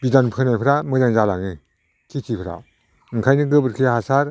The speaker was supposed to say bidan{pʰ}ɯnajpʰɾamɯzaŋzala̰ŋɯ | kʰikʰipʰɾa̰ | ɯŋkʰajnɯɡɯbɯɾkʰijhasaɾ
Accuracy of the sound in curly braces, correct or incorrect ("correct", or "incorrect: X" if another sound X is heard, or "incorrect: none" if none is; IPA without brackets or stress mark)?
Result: correct